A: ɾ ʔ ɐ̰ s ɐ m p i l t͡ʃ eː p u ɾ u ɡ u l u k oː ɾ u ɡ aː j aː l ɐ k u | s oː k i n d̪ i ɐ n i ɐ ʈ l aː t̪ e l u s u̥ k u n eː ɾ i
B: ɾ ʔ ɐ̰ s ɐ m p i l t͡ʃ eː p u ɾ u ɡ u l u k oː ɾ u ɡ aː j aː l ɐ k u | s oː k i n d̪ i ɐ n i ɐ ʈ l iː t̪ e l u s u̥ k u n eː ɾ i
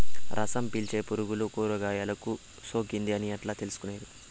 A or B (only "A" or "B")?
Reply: A